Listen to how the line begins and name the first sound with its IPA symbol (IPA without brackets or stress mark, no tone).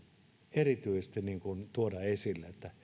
e